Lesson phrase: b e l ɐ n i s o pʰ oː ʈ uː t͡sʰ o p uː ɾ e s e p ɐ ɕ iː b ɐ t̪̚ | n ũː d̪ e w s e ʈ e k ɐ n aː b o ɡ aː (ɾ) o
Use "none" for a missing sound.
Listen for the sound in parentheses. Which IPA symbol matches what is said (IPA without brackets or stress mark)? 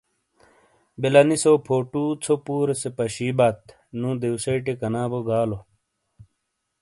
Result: l